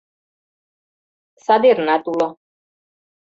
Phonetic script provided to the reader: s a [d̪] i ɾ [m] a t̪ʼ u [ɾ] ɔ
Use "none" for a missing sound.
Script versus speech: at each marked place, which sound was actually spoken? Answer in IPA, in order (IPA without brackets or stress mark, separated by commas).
d̪, n, l